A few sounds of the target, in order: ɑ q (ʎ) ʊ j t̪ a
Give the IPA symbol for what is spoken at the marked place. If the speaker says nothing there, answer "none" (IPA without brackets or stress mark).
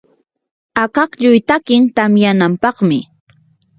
ʎ